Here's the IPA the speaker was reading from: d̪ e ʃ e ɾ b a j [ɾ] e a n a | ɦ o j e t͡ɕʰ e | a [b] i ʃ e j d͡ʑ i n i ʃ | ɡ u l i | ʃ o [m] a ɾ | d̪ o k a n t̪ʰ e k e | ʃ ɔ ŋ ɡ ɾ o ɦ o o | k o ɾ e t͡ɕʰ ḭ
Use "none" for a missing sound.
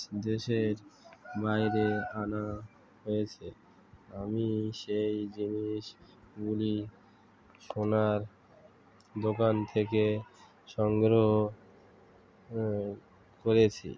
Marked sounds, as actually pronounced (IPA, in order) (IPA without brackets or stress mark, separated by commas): ɾ, m, n